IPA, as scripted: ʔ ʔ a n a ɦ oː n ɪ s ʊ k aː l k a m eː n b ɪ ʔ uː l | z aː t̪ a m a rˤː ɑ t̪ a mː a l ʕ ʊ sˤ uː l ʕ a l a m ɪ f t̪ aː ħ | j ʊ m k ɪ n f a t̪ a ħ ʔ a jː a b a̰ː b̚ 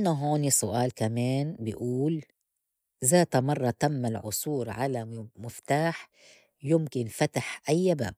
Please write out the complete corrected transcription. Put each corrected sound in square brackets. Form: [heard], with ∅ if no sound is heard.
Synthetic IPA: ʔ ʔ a n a ɦ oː n [i] s ʊ [ʔ] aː l k a m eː n b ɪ ʔ uː l | z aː t̪ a m [ɑ] rˤː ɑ t̪ a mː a l ʕ ʊ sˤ uː [ɾ] ʕ a l a m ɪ f t̪ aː ħ | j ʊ m k ɪ n f a t̪ a ħ ʔ a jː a b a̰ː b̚

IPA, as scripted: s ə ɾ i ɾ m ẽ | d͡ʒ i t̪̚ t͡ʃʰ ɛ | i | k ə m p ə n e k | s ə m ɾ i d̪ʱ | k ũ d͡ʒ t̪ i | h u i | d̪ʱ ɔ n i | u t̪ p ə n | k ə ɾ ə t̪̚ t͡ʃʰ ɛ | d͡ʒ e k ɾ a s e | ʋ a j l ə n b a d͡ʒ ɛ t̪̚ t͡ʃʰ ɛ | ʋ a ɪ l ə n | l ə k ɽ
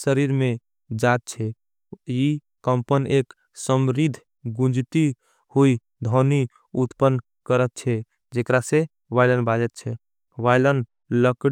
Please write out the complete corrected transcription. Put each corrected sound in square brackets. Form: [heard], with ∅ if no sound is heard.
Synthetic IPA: s ə ɾ i ɾ m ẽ | d͡ʒ [a] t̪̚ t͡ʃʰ ɛ | i | k ə m p ə n e k | s ə m ɾ i d̪ʱ | [ɡ] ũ d͡ʒ t̪ i | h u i | d̪ʱ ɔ n i | u t̪ p ə n | k ə ɾ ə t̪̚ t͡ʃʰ ɛ | d͡ʒ e k ɾ a s e | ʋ a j l ə n b a d͡ʒ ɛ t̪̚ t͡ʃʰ ɛ | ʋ a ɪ l ə n | l ə k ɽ

